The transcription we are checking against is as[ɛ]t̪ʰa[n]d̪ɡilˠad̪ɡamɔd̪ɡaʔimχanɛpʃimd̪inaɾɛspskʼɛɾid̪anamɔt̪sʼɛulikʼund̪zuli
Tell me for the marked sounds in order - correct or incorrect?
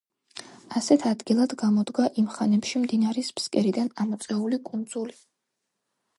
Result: correct, incorrect: none

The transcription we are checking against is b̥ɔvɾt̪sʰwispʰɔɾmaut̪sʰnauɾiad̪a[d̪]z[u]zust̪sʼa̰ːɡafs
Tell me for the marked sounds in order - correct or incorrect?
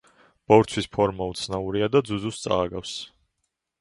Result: correct, correct

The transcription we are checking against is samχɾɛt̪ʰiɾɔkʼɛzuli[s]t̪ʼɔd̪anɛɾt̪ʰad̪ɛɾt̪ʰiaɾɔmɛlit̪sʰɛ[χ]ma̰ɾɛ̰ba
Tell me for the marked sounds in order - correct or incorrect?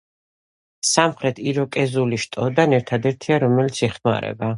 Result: incorrect: ʃ, correct

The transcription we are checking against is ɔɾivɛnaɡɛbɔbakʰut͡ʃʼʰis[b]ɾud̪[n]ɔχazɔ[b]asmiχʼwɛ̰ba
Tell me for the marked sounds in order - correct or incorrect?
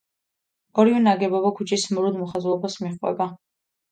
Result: incorrect: m, incorrect: m, correct

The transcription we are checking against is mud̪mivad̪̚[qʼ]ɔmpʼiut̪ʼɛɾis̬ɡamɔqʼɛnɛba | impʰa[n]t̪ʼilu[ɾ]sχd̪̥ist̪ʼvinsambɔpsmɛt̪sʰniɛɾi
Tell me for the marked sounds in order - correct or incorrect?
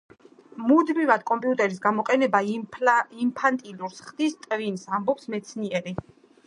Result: incorrect: kʼ, correct, correct

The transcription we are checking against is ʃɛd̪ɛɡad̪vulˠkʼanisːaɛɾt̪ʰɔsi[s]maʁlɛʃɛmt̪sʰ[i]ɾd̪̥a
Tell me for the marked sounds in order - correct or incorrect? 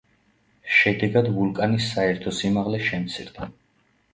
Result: incorrect: none, correct

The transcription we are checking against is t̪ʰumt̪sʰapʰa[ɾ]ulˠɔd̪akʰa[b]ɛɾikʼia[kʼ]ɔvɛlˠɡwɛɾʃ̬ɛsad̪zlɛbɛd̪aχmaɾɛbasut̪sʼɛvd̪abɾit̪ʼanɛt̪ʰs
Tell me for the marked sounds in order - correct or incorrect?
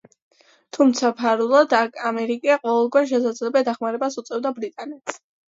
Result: correct, incorrect: m, incorrect: qʼ

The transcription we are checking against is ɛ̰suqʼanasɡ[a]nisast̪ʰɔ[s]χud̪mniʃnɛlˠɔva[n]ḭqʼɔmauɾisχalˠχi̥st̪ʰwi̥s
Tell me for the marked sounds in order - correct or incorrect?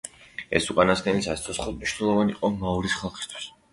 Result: incorrect: ɛ, correct, correct

